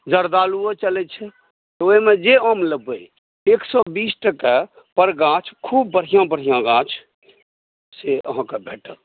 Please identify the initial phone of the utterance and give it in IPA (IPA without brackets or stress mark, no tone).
d͡ʒ